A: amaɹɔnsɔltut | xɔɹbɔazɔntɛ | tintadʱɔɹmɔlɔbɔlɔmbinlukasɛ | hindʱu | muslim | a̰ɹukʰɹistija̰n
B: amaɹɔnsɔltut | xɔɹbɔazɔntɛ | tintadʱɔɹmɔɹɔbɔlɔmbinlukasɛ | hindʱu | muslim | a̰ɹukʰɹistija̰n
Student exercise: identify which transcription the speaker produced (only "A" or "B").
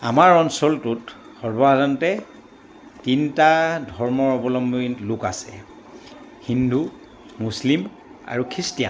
B